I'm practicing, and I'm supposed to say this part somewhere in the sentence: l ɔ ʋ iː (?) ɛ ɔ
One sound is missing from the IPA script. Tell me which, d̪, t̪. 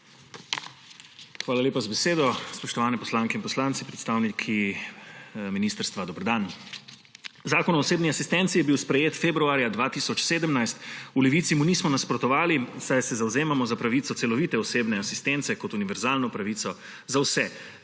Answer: t̪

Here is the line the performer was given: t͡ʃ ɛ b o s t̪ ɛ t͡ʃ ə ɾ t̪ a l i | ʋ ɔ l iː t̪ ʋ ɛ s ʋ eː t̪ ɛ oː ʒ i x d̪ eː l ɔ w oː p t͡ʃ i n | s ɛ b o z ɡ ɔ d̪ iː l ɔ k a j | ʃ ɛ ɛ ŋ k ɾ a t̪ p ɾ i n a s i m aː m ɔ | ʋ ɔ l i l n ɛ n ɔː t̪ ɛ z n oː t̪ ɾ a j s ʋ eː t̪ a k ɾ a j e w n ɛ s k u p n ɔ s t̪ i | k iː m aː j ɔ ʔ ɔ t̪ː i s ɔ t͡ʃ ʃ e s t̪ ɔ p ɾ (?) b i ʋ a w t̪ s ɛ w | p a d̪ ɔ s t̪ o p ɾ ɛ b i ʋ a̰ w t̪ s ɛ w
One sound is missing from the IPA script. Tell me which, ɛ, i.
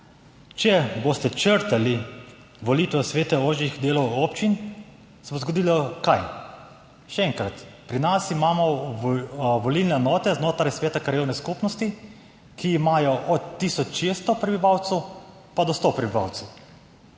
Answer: ɛ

